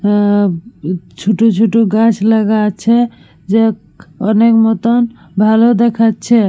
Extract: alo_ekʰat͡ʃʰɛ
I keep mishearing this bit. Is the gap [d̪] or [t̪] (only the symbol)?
d̪